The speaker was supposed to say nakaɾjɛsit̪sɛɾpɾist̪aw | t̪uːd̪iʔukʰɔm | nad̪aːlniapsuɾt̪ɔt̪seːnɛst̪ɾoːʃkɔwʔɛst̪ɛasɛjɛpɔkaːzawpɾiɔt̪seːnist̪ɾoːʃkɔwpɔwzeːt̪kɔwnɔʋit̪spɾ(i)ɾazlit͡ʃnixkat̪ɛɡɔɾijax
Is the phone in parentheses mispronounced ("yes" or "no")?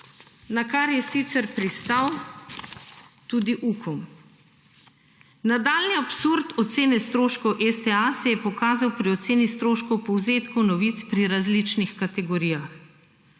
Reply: no